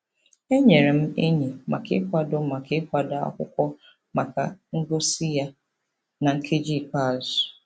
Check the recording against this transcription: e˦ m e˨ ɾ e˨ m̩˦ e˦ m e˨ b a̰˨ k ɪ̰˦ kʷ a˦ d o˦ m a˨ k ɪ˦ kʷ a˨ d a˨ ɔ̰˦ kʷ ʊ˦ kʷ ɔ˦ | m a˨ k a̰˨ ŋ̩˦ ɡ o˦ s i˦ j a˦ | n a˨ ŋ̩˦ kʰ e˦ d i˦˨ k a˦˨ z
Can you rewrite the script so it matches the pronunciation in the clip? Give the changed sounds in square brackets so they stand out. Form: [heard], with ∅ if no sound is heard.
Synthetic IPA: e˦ [ɲ] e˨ ɾ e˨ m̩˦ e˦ [ɲ] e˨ [m] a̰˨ k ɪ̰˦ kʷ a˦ d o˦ m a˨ k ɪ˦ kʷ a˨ d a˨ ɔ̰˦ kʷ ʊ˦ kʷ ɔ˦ | m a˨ k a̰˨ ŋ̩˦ ɡ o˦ s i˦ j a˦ | n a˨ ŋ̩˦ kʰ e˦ [d͡ʒ] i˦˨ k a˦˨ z